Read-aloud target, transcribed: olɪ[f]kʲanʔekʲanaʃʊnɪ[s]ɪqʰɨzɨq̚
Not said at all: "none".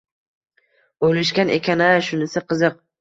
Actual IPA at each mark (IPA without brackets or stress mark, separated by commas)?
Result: ʃ, s